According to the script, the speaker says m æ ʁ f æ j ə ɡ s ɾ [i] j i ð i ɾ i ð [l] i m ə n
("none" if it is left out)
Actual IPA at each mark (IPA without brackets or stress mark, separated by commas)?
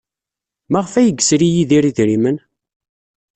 i, ɾ